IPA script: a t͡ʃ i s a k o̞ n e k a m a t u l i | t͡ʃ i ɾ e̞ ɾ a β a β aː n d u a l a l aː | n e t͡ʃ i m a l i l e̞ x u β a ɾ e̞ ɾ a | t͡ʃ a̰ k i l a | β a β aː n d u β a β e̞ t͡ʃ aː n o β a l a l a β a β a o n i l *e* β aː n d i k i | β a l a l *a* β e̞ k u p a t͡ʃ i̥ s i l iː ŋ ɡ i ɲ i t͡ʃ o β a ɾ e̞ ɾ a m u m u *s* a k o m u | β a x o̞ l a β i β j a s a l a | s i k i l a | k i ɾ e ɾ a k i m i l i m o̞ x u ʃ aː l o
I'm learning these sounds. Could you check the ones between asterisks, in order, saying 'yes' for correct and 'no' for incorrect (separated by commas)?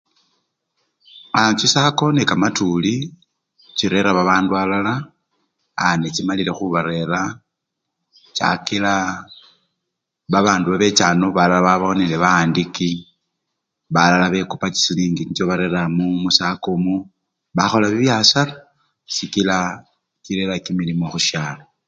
yes, yes, yes